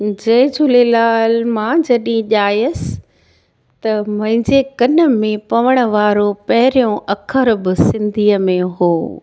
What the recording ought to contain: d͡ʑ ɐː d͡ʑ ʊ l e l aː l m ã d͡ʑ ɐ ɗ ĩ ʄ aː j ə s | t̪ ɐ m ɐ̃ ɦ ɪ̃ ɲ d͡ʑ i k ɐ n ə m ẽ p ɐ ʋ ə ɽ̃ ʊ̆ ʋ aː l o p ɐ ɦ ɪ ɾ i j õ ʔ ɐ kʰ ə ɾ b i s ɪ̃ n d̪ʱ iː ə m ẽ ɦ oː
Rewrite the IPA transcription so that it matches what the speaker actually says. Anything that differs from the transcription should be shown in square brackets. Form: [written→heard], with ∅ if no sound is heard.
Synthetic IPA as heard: d͡ʑ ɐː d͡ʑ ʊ l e l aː l m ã d͡ʑ ɐ ɗ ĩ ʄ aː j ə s | t̪ ɐ m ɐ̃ ɦ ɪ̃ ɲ d͡ʑ [i→e] k ɐ n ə m ẽ p ɐ ʋ ə ɽ̃ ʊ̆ ʋ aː [l→ɾ] o p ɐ ɦ ɪ ɾ i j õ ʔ ɐ kʰ ə ɾ b [i→ɪ] s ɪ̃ n d̪ʱ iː ə m ẽ ɦ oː

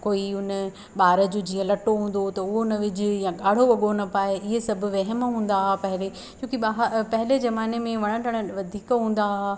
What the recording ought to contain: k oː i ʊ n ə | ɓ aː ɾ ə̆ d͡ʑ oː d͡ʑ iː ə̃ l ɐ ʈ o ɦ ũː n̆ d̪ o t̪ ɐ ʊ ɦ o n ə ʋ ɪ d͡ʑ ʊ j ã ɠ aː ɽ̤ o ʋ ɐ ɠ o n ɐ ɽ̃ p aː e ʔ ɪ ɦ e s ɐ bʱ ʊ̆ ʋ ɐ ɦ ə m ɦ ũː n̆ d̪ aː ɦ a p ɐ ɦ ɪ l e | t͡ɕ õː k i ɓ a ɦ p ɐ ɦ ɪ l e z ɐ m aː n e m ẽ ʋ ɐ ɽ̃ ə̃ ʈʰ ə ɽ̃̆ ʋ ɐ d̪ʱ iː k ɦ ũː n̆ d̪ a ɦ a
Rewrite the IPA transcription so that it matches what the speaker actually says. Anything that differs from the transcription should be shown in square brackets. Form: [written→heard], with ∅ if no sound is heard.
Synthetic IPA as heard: k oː i ʊ n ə | ɓ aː ɾ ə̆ d͡ʑ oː d͡ʑ iː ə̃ l ɐ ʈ o ɦ ũː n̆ d̪ o t̪ ɐ ʊ ɦ o n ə ʋ ɪ d͡ʑ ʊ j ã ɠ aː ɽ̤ o ʋ ɐ ɠ o n ɐ [ɽ̃→∅] p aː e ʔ ɪ ɦ e s ɐ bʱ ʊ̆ ʋ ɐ ɦ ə m ɦ ũː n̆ d̪ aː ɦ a p ɐ ɦ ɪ l e | t͡ɕ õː k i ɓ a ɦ p ɐ ɦ ɪ l e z ɐ m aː n e m ẽ ʋ ɐ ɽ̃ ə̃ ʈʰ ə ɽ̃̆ ʋ ɐ d̪ʱ iː k ɦ ũː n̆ d̪ a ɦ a

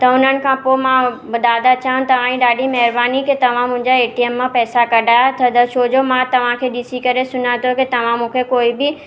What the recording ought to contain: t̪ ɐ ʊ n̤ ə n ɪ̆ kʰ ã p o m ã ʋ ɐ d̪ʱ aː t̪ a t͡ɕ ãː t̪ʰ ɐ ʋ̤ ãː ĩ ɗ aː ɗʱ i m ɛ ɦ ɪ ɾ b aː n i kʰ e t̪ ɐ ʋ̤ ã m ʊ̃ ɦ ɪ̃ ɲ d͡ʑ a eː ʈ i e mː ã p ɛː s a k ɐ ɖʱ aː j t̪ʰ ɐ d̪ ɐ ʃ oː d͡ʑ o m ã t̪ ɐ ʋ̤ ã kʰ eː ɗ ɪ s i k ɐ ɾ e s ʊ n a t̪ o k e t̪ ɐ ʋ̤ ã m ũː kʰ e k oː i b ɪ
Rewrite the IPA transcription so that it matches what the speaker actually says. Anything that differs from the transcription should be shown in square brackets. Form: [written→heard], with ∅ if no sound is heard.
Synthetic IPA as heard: t̪ ɐ ʊ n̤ ə n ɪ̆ kʰ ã p o m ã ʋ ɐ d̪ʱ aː [t̪→d̪] a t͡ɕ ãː [t̪ʰ→t̪] ɐ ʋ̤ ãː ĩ ɗ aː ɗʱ i m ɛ ɦ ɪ ɾ b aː n i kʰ e t̪ ɐ ʋ̤ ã m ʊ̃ ɦ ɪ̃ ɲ d͡ʑ a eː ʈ i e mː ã p ɛː s a k ɐ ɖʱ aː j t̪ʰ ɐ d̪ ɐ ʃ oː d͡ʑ o m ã t̪ ɐ ʋ̤ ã kʰ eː ɗ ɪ s i k ɐ ɾ e s ʊ n a t̪ o k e t̪ ɐ ʋ̤ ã m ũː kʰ e k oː i b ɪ

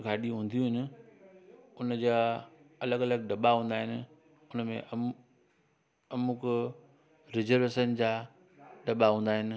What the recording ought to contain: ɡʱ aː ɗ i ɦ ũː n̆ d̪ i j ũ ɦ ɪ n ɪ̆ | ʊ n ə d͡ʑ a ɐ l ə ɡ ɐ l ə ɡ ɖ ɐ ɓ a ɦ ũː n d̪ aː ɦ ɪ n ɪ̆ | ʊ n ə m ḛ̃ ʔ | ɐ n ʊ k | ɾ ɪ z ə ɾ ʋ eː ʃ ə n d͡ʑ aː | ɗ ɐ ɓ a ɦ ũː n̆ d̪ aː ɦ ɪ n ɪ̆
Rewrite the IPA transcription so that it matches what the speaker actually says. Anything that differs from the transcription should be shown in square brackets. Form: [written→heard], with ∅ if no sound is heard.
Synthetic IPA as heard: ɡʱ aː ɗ i ɦ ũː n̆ d̪ i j ũ ɦ ɪ n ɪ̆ | ʊ n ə d͡ʑ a ɐ l ə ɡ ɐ l ə ɡ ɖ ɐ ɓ a ɦ ũː n d̪ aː ɦ ɪ n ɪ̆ | ʊ n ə m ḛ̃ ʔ | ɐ [n→m] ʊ k | ɾ ɪ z ə ɾ ʋ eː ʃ ə n d͡ʑ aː | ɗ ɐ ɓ a ɦ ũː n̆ d̪ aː ɦ ɪ n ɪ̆

